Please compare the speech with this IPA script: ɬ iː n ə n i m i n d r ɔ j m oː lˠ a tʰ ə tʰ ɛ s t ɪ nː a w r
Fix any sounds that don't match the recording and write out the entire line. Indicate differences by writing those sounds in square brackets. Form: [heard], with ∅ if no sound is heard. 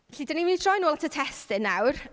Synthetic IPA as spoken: ɬ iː [d] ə n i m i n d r ɔ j [n] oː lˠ a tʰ ə tʰ ɛ s t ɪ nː a w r

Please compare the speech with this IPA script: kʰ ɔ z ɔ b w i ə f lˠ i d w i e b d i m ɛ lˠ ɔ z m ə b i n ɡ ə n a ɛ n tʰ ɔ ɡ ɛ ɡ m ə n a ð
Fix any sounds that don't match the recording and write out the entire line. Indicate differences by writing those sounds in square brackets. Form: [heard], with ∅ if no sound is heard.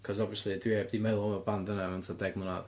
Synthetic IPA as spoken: kʰ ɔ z ɔ b [v] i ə [s] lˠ i d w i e b d i m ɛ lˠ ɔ [∅] m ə b [a] n [d] ə n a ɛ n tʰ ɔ [d] ɛ ɡ m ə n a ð

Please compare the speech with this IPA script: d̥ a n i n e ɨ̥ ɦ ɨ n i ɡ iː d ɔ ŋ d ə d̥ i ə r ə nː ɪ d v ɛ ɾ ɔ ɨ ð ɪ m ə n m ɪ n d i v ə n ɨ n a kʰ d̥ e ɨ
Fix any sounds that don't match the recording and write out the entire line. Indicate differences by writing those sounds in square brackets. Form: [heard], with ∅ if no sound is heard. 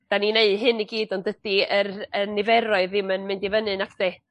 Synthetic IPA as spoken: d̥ a n i n e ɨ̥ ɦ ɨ n i ɡ iː d ɔ [n] d ə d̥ i ə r ə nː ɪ [∅] v ɛ ɾ ɔ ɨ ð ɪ m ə n m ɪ n d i v ə n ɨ n a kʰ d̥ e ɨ

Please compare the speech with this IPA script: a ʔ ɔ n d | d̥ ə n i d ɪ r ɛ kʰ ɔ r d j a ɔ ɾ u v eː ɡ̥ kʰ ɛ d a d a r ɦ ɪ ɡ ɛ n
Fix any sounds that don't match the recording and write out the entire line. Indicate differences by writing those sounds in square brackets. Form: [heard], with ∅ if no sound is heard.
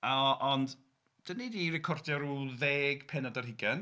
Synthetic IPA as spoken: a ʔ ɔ n d | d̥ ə n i d [i] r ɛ kʰ ɔ r d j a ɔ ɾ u [ð] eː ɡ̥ [pʰ] ɛ [n] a d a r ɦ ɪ ɡ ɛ n

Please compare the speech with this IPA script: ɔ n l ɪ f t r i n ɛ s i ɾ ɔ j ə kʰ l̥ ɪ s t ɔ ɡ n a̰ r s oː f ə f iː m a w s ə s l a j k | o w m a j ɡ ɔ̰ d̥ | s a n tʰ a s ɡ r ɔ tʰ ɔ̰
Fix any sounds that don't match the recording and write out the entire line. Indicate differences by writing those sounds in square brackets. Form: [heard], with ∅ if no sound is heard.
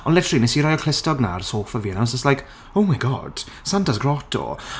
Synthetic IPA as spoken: ɔ n l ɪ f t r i n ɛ s i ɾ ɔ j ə kʰ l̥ ɪ s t ɔ ɡ n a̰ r s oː f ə [v] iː [n] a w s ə s l a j k | o w m a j ɡ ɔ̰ d̥ | s a n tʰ a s ɡ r ɔ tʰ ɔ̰

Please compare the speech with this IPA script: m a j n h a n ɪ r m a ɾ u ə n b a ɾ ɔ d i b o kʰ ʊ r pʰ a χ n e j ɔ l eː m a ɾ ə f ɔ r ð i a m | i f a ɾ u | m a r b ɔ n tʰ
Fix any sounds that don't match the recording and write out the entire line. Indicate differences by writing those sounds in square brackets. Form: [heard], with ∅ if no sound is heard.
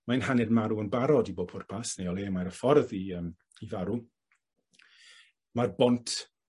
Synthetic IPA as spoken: m a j n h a n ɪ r m a ɾ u ə n b a ɾ ɔ d i b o [pʰ] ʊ r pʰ a [s] n e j ɔ l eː m a ɾ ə f ɔ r ð i [ə] m | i [v] a ɾ u | m a r b ɔ n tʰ

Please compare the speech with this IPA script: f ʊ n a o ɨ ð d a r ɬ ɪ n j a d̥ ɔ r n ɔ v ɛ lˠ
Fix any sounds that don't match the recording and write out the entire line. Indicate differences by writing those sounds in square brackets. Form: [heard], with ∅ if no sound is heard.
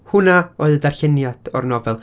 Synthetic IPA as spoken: [h] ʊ n a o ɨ ð d a r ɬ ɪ n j a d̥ ɔ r n ɔ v ɛ lˠ

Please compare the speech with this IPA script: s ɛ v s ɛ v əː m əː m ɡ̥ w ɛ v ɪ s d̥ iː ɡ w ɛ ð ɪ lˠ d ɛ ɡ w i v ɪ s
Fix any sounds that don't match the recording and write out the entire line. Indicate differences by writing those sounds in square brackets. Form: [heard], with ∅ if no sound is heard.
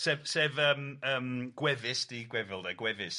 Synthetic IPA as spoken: s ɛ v s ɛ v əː m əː m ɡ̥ w ɛ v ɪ s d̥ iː ɡ w ɛ [v] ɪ lˠ d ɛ ɡ w [ɛ] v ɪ s

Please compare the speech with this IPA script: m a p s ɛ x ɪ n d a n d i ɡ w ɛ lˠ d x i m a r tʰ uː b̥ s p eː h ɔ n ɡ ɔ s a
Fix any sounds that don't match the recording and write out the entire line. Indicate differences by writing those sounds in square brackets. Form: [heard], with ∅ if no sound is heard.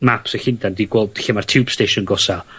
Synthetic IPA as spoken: m a p s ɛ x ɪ n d a n d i ɡ w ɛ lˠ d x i m a r tʰ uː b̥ s [t] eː [ʃ] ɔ n ɡ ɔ s a

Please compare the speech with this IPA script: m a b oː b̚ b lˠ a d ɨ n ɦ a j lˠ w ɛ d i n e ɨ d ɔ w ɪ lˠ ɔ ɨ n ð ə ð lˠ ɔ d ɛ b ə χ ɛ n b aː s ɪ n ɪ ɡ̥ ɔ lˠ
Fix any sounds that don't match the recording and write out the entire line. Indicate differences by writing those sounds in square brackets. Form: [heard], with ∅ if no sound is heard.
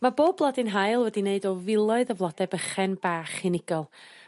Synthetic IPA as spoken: m a b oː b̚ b lˠ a d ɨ n ɦ a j lˠ w ɛ d i n e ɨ d ɔ [v] ɪ lˠ ɔ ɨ [∅] ð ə [v] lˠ ɔ d ɛ b ə χ ɛ n b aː [χ] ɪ n ɪ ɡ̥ ɔ lˠ

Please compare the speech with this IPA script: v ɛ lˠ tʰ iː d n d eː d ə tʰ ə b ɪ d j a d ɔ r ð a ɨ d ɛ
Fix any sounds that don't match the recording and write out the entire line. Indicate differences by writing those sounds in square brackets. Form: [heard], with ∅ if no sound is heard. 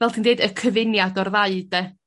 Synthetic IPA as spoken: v ɛ lˠ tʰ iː [∅] n d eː d ə [kʰ] ə [v] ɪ [n] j a d ɔ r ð a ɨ d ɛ

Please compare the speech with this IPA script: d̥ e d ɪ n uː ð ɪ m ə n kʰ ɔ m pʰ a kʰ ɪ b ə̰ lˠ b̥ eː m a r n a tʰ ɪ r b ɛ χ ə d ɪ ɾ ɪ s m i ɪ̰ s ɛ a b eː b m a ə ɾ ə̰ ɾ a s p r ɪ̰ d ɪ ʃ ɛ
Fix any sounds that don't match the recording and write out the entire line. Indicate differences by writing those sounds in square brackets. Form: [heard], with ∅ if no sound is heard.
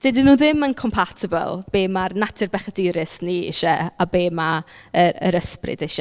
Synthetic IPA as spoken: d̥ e d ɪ n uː ð ɪ m ə n kʰ ɔ m pʰ a [tʰ] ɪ b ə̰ lˠ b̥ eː m a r n a tʰ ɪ r b ɛ χ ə d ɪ ɾ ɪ s [n] i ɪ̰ [ʃ] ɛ a b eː [∅] m a ə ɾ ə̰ ɾ [ə] s p r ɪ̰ d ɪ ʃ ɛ

